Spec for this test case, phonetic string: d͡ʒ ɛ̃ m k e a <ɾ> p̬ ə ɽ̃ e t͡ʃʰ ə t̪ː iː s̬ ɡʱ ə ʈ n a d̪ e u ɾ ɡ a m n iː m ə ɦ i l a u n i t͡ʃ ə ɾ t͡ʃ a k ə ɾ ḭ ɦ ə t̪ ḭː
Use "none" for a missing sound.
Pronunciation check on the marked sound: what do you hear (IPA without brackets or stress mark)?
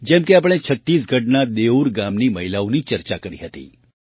none